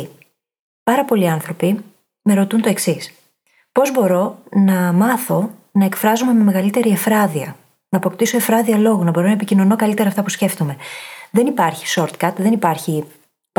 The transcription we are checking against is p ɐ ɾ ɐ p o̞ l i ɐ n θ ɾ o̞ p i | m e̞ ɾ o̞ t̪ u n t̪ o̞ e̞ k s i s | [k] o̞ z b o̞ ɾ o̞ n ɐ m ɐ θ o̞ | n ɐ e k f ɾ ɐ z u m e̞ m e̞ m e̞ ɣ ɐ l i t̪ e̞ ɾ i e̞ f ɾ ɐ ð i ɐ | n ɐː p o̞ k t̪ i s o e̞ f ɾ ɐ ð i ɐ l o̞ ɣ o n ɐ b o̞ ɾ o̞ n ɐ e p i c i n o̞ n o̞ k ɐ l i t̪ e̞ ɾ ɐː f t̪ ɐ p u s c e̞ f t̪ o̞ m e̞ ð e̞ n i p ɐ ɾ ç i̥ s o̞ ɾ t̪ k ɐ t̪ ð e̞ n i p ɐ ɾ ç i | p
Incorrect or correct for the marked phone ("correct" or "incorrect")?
incorrect